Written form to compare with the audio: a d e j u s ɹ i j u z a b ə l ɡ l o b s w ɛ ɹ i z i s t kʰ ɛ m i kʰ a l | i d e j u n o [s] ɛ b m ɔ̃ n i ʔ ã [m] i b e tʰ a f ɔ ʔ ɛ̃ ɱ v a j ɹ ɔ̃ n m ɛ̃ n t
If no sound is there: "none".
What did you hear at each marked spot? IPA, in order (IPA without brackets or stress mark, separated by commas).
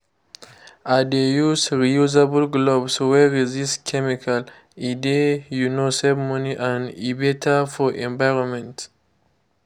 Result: s, n